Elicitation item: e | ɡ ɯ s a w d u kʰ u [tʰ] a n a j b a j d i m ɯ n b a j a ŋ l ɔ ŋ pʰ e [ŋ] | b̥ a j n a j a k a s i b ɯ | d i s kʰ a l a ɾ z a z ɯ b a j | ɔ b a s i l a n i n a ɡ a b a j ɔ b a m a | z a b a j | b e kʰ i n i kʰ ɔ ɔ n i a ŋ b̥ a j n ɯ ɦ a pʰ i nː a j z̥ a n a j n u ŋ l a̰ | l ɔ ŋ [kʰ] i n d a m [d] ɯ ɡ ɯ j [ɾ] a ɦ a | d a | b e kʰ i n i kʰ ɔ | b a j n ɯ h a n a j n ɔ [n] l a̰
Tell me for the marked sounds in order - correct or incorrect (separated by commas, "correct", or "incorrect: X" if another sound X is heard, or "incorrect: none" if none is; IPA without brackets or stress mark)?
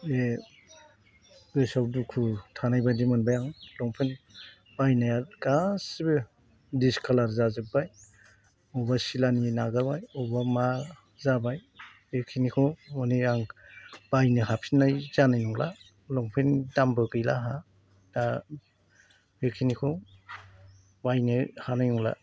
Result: correct, incorrect: n, incorrect: pʰ, incorrect: b, incorrect: l, incorrect: ŋ